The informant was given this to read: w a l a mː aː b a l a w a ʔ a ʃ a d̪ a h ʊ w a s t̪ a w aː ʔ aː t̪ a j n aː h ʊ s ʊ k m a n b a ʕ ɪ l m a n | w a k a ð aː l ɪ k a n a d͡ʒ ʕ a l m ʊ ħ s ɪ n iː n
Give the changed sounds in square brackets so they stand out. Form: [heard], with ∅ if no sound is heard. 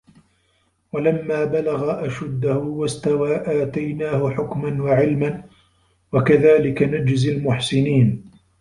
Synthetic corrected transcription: w a l a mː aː b a l a [ɣ] a ʔ a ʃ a [d̪ː] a h ʊ w a s t̪ a w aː ʔ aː t̪ a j n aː h ʊ [ħ] ʊ k m a n [w] a ʕ ɪ l m a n | w a k a ð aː l ɪ k a n a d͡ʒ [z] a l m ʊ ħ s ɪ n iː n